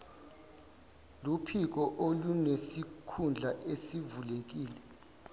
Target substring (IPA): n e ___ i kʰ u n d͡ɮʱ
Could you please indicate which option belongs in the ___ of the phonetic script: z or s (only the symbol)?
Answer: s